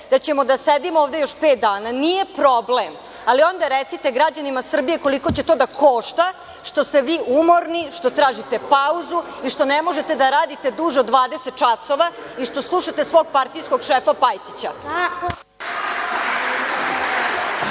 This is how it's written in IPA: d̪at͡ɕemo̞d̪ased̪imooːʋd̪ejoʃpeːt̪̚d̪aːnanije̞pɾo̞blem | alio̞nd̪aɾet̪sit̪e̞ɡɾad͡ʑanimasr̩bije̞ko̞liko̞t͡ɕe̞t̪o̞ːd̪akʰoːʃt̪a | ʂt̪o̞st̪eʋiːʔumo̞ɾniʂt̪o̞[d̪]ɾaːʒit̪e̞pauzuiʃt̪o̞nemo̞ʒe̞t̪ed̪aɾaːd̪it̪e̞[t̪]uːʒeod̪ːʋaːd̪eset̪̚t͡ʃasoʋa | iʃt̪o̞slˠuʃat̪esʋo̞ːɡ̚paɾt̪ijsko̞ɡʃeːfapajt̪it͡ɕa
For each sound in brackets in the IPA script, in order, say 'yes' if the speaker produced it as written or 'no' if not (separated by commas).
no, no